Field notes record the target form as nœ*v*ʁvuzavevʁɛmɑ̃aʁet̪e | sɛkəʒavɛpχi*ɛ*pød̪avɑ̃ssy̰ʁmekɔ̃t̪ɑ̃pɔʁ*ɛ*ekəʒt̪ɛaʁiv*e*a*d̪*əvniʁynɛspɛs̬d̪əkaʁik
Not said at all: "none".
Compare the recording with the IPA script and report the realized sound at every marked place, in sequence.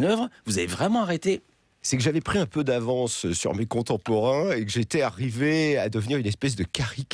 v, ɛ̃, ɛ̃, e, d̪

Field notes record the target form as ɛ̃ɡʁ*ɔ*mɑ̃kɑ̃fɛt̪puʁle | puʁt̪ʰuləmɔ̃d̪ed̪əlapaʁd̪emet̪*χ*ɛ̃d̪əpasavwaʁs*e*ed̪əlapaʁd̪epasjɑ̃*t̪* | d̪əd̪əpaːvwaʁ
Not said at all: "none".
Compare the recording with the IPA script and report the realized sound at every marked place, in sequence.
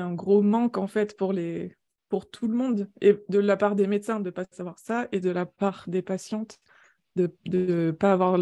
o, s, a, t̪

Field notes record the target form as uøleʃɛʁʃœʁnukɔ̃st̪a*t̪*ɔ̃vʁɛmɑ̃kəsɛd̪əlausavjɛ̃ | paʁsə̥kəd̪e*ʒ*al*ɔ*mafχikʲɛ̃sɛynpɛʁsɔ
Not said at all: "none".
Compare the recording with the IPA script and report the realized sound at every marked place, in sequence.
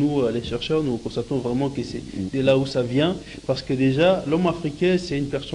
t̪, ʒ, ɔ

